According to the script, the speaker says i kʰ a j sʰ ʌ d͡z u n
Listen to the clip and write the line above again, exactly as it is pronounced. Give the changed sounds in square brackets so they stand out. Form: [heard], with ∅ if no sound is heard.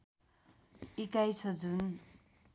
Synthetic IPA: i [k] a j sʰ ʌ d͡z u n